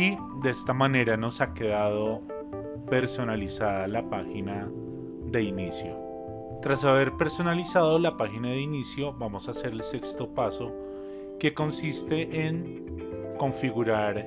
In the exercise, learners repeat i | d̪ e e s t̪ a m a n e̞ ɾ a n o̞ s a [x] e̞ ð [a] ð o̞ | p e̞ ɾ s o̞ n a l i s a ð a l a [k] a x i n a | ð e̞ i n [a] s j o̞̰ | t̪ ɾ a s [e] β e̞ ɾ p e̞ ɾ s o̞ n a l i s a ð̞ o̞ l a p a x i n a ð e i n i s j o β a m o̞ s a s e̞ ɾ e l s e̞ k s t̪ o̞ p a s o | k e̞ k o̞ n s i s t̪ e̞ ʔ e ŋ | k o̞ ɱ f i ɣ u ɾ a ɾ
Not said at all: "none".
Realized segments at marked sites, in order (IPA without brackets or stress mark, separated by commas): k, a, p, i, a